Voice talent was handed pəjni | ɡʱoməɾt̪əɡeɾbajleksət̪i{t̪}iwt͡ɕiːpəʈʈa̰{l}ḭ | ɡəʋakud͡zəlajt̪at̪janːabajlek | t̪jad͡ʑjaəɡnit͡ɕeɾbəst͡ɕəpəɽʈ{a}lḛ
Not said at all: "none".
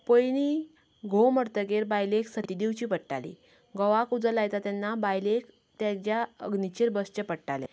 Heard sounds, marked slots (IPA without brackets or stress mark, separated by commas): d̪, l, a